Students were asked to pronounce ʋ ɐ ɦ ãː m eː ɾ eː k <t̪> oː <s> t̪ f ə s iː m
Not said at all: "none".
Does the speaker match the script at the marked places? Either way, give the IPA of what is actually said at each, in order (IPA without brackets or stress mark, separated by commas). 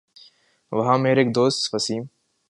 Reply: d̪, s